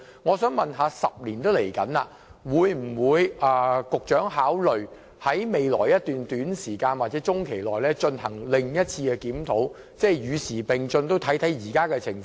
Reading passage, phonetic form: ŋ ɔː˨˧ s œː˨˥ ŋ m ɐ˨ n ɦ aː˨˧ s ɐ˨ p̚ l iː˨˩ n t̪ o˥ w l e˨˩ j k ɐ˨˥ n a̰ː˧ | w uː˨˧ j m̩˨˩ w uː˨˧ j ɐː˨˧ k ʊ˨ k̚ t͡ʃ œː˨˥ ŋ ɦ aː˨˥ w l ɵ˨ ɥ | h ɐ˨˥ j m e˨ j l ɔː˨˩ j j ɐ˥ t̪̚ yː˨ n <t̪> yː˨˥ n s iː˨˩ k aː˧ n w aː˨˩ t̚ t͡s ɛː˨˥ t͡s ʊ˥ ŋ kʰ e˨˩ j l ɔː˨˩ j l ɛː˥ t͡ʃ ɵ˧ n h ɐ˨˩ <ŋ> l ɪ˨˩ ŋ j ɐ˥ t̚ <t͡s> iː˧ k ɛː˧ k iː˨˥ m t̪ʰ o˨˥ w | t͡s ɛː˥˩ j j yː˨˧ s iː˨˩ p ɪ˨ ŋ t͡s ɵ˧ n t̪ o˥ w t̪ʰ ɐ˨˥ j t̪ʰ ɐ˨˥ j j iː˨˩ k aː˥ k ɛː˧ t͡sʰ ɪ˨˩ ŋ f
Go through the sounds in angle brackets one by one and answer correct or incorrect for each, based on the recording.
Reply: correct, correct, incorrect

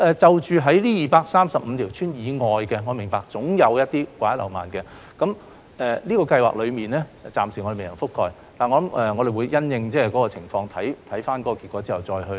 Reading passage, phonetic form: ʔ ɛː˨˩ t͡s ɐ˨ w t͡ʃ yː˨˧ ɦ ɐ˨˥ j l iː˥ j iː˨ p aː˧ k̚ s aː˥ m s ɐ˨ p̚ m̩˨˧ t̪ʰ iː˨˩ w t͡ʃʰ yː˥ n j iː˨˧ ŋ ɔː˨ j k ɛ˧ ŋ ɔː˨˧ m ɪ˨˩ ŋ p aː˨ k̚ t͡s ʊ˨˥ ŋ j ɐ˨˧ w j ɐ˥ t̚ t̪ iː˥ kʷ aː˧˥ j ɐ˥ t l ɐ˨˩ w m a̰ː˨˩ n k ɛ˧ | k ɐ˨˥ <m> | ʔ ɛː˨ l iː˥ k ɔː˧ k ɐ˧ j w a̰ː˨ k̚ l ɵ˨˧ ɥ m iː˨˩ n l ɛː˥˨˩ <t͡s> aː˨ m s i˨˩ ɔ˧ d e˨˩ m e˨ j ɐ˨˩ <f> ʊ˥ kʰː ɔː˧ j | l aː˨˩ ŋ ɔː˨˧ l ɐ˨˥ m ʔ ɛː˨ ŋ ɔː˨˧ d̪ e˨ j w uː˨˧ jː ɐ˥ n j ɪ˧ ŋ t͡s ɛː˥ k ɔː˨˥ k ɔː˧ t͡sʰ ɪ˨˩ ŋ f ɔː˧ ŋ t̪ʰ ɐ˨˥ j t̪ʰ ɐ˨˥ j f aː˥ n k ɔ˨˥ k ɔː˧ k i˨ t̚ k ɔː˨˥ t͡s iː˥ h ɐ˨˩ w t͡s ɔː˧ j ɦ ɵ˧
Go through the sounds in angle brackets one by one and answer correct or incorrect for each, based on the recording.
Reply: correct, correct, correct

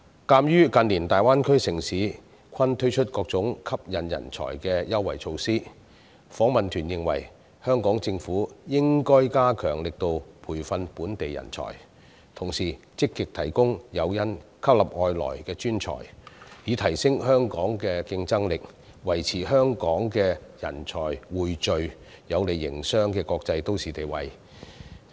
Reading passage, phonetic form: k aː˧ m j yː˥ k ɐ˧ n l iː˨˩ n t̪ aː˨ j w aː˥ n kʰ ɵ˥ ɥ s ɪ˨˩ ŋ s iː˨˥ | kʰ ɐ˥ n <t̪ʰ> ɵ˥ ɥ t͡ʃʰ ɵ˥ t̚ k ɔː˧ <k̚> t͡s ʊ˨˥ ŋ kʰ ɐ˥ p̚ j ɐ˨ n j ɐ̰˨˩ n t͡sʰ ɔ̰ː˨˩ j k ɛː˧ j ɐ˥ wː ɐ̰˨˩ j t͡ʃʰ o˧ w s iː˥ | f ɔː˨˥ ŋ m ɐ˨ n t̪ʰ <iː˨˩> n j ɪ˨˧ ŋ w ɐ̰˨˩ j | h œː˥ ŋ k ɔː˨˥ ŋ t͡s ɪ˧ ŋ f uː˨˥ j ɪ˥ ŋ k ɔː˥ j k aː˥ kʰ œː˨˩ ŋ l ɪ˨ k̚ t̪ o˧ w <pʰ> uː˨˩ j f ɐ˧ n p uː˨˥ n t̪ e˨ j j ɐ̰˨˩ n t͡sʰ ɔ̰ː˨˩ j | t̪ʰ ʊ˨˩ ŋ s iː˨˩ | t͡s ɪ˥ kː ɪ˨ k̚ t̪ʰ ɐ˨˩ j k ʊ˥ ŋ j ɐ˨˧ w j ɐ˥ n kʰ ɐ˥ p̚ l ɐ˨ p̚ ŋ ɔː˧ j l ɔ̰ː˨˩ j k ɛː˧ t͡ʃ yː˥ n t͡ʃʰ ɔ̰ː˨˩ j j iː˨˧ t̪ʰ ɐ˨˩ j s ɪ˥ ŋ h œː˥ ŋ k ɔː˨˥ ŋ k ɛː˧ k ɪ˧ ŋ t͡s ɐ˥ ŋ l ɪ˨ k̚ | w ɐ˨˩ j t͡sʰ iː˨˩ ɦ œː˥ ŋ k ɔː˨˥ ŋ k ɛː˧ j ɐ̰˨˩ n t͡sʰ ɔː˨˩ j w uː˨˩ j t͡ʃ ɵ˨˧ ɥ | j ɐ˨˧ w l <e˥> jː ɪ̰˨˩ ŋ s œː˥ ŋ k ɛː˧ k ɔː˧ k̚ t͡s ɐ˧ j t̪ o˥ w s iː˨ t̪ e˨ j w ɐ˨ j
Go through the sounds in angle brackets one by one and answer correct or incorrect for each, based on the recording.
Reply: correct, correct, incorrect, correct, incorrect

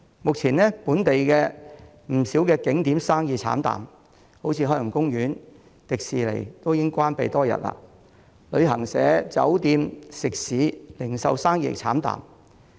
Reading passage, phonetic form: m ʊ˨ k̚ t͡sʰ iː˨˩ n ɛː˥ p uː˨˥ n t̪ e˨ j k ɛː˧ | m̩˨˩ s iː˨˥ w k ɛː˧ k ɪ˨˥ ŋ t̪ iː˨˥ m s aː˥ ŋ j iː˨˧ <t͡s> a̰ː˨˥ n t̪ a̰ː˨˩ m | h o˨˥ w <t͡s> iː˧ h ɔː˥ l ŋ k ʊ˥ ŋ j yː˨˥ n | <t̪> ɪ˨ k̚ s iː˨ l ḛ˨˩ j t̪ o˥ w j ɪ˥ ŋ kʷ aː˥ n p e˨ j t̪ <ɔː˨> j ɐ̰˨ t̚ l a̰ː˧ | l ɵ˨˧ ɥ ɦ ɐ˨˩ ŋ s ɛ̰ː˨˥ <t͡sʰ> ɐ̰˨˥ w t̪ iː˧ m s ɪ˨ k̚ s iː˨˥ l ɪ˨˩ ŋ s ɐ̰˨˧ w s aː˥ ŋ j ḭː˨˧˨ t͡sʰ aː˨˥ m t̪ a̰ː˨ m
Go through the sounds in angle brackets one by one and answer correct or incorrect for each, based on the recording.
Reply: incorrect, incorrect, correct, incorrect, incorrect

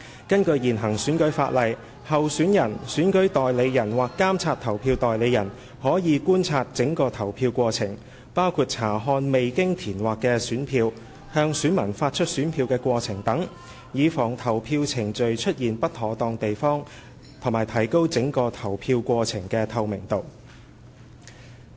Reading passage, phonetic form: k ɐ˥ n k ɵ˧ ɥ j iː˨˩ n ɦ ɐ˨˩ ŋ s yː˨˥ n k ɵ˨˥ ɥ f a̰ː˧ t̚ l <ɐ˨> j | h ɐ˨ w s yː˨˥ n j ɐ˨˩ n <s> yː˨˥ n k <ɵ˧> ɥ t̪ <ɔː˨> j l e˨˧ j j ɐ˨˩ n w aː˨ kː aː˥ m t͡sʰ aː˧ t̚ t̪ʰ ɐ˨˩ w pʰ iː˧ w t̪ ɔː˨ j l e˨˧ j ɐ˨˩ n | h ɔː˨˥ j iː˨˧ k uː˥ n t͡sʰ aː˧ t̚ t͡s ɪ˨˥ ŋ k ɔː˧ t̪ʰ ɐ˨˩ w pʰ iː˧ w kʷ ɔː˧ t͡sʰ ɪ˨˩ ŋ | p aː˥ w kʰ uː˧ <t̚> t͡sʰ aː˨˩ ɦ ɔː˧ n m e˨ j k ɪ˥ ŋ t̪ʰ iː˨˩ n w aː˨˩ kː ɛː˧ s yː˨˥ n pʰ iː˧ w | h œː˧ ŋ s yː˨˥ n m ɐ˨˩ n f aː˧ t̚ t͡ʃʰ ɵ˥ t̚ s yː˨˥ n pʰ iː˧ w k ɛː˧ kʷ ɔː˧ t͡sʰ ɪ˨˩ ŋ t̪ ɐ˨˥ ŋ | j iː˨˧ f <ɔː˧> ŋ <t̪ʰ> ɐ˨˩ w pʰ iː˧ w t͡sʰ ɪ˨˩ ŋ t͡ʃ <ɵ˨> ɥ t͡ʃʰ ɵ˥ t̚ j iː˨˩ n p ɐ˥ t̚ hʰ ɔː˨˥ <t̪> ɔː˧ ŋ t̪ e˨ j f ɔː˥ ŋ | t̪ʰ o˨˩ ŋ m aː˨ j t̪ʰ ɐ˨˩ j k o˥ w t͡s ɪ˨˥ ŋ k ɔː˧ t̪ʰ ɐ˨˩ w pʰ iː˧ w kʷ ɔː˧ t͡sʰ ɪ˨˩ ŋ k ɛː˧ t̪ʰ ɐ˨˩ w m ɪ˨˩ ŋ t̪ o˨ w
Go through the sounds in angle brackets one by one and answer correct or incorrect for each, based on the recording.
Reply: correct, correct, incorrect, correct, correct, incorrect, correct, correct, correct

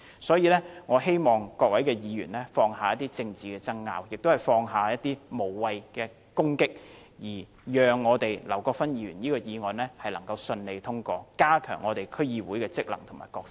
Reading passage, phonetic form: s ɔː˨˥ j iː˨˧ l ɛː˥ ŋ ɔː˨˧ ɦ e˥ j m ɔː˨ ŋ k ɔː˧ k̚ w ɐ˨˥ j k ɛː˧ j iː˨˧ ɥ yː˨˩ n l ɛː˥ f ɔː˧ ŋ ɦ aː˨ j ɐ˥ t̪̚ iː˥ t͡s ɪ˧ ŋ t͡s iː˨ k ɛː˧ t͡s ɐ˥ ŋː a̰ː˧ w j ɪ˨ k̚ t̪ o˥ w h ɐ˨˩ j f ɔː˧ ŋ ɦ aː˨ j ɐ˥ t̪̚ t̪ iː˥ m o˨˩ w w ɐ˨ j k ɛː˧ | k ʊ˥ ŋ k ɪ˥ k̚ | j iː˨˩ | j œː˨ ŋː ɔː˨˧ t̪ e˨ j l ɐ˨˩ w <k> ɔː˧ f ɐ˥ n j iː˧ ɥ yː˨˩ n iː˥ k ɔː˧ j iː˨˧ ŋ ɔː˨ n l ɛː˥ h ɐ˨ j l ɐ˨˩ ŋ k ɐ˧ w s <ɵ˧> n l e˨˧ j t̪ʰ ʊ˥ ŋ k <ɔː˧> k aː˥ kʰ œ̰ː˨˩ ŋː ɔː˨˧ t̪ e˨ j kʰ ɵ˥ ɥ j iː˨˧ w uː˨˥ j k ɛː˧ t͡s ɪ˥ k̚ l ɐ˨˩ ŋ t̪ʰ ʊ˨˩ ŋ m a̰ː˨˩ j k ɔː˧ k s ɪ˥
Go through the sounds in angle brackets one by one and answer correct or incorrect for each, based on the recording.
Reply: correct, correct, correct

